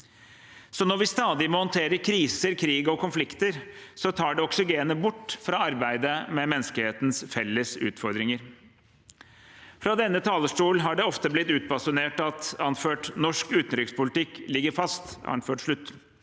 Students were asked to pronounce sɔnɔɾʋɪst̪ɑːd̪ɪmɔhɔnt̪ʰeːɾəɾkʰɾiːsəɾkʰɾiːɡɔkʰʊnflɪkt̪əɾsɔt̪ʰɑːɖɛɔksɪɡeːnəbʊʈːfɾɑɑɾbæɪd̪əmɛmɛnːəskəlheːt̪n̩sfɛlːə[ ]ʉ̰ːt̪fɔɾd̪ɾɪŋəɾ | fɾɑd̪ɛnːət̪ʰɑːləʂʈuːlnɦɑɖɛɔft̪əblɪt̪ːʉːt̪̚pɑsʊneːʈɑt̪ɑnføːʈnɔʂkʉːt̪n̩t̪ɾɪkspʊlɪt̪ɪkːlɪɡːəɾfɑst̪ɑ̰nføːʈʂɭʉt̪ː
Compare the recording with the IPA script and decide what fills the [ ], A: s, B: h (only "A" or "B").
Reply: A